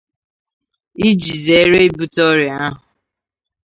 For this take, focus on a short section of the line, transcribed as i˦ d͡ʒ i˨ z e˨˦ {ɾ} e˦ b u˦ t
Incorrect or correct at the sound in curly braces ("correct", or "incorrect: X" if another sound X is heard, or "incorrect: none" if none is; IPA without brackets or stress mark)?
correct